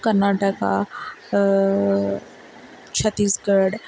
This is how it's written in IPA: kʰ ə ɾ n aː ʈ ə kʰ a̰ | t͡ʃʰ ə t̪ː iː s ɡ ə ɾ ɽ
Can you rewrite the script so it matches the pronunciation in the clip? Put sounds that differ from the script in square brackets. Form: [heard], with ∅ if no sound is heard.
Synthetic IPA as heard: [k] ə ɾ n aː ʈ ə [k] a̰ | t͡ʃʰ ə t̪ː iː s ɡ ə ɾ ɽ

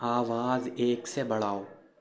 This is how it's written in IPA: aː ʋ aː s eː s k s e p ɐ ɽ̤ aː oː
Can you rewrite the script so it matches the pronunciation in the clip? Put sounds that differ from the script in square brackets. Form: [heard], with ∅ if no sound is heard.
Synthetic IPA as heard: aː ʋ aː [z] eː [∅] k s e [b] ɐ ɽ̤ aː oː

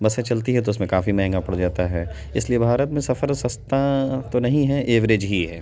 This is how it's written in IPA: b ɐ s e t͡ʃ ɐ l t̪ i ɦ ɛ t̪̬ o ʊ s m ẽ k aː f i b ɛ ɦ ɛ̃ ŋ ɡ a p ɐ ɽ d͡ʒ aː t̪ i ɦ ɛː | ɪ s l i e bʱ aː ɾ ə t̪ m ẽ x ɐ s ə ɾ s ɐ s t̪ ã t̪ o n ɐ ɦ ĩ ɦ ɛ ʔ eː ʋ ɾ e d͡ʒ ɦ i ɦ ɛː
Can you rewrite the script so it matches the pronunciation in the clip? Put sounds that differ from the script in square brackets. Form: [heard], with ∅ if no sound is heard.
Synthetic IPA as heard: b ɐ s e t͡ʃ ɐ l t̪ i ɦ ɛ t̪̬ o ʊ s m ẽ k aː f i [m] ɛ ɦ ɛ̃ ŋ ɡ a p ɐ ɽ d͡ʒ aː t̪ [a] ɦ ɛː | ɪ s l i e bʱ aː ɾ ə t̪ m ẽ [s] ɐ [f] ə ɾ s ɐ s t̪ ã t̪ o n ɐ ɦ ĩ ɦ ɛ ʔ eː ʋ ɾ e d͡ʒ ɦ i ɦ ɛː

